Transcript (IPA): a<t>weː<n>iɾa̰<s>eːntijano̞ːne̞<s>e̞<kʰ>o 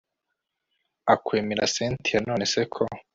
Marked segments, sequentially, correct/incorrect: incorrect, incorrect, correct, correct, correct

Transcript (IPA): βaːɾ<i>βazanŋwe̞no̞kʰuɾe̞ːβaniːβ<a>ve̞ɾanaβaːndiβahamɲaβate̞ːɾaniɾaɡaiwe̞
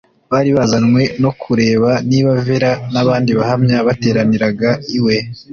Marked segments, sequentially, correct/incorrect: correct, correct

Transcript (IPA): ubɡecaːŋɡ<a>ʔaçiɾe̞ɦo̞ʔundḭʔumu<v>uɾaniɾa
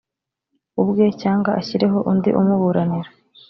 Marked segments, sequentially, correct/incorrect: correct, incorrect

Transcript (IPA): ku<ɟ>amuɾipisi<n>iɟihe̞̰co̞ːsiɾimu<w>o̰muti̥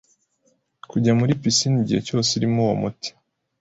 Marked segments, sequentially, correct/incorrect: correct, correct, correct

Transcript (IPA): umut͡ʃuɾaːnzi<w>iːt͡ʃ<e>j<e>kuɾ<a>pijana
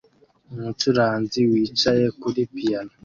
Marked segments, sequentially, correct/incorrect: correct, incorrect, correct, incorrect

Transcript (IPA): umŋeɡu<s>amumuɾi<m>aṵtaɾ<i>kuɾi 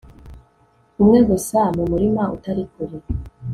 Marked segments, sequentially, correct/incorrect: correct, correct, correct

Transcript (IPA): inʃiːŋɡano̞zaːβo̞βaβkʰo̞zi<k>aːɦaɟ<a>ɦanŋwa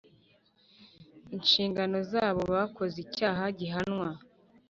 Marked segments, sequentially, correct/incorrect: incorrect, incorrect

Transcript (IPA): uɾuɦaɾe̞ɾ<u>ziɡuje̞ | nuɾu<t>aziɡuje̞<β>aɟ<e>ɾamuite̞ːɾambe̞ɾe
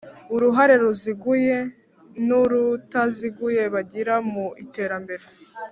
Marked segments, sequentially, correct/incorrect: correct, correct, correct, incorrect

